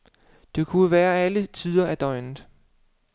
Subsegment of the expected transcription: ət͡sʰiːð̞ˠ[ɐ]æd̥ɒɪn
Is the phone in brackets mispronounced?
no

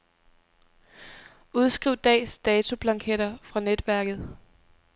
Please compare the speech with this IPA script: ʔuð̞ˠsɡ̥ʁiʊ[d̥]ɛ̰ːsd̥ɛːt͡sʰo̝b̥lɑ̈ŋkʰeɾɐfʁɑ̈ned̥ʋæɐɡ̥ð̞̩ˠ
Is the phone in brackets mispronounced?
no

